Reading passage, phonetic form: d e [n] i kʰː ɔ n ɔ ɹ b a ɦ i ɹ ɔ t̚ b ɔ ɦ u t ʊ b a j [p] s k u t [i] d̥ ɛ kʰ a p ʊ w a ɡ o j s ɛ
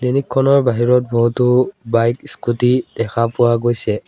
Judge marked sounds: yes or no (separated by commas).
yes, no, yes